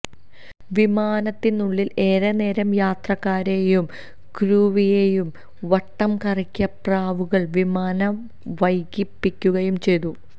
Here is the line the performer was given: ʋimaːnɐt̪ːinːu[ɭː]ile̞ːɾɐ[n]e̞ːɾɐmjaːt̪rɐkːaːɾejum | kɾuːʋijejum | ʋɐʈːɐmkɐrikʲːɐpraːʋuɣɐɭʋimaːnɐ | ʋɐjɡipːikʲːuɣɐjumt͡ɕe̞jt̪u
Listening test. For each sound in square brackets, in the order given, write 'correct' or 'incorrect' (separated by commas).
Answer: correct, correct